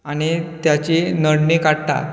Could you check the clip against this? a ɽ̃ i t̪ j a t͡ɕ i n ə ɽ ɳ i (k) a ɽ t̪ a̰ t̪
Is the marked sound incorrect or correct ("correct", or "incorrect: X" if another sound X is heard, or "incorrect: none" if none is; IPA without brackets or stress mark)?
correct